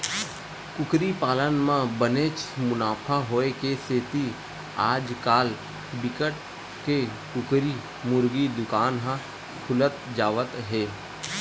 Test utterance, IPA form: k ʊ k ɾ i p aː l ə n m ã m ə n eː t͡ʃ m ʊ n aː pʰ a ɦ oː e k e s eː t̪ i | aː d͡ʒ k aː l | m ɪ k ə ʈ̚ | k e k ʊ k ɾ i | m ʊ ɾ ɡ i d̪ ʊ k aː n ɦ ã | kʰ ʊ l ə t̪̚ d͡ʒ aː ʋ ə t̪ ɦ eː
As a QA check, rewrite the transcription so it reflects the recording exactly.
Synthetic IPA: k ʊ k ɾ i p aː l ə n m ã b ə n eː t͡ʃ m ʊ n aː pʰ a ɦ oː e k e s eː t̪ i | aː d͡ʒ k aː l | b ɪ k ə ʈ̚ | k e k ʊ k ɾ i | m ʊ ɾ ɡ i d̪ ʊ k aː n ɦ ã | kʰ ʊ l ə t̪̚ d͡ʒ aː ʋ ə t̪ ɦ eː